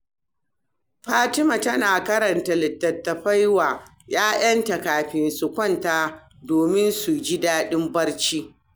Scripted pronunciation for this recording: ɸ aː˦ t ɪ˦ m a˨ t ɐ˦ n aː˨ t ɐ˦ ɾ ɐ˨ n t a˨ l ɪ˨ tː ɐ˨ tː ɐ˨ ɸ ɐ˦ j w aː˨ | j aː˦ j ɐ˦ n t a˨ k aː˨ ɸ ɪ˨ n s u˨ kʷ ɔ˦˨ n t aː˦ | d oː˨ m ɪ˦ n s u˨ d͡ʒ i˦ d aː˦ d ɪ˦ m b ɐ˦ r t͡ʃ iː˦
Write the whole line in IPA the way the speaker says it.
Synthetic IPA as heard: ɸ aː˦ t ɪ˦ m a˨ t ɐ˦ n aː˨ k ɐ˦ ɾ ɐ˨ n t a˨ l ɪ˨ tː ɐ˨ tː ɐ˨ ɸ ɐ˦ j w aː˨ | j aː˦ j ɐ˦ n t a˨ k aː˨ ɸ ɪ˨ n s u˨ kʷ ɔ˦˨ n t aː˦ | d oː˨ m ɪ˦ n s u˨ d͡ʒ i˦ d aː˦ ɗ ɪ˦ m b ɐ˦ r t͡ʃ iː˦